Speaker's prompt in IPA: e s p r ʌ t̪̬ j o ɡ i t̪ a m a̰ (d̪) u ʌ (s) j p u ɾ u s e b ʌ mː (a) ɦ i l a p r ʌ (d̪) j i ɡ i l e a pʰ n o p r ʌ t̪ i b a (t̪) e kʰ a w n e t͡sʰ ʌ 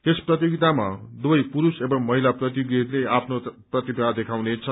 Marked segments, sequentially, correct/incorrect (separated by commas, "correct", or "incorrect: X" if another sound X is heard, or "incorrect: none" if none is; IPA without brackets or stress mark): correct, incorrect: none, incorrect: ʌ, incorrect: t̪, incorrect: d̪